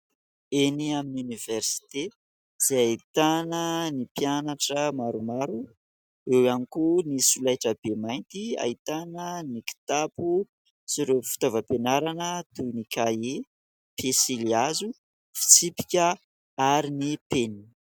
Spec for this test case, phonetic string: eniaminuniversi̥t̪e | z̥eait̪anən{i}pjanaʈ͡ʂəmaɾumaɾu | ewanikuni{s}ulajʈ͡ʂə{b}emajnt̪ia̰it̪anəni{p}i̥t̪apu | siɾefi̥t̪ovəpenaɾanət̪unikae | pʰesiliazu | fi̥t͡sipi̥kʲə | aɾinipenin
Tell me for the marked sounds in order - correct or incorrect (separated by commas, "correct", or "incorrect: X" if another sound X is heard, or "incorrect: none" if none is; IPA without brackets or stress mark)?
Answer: correct, correct, correct, incorrect: k